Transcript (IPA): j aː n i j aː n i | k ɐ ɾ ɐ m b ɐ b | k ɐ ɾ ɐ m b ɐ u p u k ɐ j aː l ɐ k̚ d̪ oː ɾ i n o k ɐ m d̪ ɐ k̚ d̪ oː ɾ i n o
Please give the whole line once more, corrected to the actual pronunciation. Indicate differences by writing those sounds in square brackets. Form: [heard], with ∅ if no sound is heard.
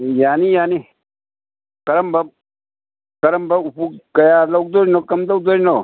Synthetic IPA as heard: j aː n i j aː n i | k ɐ ɾ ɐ m b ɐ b | k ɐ ɾ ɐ m b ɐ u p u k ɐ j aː l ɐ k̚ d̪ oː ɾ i n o k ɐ m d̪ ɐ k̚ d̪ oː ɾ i n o